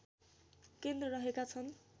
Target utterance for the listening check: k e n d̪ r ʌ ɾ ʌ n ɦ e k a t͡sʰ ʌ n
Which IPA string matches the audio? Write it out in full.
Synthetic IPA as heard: k e n d̪ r ʌ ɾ ʌ ɦ e k a t͡sʰ ʌ n